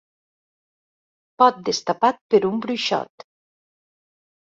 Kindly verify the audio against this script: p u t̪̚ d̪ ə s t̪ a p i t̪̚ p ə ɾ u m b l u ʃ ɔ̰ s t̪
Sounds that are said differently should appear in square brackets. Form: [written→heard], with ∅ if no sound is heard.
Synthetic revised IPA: p [u→ɔ] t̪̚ d̪ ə s t̪ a p [i→a] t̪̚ p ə ɾ u m b [l→ɾ] u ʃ ɔ̰ [s→∅] t̪